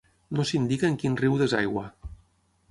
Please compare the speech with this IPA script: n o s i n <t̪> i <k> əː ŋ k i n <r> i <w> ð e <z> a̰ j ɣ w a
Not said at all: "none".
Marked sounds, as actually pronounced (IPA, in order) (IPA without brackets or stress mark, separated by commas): d̪, k, r, w, z